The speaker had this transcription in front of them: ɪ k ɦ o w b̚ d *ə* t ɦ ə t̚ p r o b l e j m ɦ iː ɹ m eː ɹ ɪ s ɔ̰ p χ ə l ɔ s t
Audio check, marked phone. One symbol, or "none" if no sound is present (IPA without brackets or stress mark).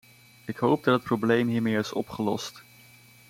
ɑ